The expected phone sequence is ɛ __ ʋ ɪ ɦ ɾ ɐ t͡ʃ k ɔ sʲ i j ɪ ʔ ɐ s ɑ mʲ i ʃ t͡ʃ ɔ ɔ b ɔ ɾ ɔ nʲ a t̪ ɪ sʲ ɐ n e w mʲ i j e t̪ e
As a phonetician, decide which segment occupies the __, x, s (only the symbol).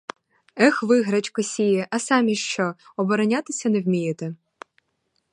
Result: x